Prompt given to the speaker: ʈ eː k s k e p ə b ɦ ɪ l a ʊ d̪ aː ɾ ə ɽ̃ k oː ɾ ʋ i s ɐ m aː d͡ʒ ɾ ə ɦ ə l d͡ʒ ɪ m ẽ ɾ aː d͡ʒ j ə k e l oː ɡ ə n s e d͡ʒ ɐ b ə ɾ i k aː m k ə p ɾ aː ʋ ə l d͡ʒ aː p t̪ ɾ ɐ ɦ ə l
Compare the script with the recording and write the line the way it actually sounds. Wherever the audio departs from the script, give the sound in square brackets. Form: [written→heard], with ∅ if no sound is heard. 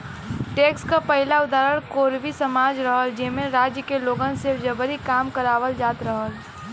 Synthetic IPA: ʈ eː k s k [e→a] p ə [b→∅] ɦ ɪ l a ʊ d̪ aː ɾ ə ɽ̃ k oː ɾ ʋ i s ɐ m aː d͡ʒ ɾ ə ɦ ə l d͡ʒ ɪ m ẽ ɾ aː d͡ʒ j ə k e l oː ɡ ə n s e d͡ʒ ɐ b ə ɾ i k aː m k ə [p→∅] ɾ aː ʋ ə l d͡ʒ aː [p→∅] t̪ ɾ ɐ ɦ ə l